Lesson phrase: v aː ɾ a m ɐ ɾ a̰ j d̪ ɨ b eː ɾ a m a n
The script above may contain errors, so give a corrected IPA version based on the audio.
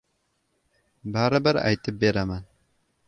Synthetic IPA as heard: b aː ɾ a b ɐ ɾ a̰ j t̪ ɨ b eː ɾ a m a n